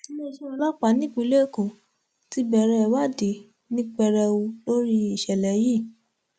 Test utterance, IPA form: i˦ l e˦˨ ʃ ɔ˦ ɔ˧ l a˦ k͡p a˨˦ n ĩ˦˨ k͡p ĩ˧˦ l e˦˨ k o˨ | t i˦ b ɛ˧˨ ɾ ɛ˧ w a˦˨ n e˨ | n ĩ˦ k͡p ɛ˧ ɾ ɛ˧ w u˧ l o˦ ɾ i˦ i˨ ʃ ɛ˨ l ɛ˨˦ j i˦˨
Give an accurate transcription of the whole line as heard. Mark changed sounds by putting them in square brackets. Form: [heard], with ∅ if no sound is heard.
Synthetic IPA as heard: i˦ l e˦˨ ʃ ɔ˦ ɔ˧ l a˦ k͡p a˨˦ n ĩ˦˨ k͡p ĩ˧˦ l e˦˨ k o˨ | t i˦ b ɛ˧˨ ɾ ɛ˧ w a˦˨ [d] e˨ | n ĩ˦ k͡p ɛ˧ ɾ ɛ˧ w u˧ l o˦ ɾ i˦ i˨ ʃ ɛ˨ l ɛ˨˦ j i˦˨